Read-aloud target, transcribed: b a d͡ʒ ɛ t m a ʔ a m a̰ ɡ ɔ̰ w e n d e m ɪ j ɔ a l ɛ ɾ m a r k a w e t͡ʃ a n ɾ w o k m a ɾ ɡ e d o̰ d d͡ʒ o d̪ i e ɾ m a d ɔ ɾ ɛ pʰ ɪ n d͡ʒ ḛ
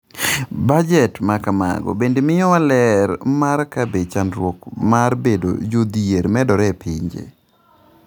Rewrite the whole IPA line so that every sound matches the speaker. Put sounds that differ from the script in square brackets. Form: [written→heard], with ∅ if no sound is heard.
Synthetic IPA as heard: b a d͡ʒ ɛ t m a [ʔ→k] a m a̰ ɡ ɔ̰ [w→b] e n d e m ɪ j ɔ a l ɛ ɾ m a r k a [w→b] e t͡ʃ a n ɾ w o k m a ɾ [ɡ→b] e d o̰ [d→∅] d͡ʒ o d̪ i e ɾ m [a→ɛ] d ɔ ɾ ɛ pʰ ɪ [n→ɲ] d͡ʒ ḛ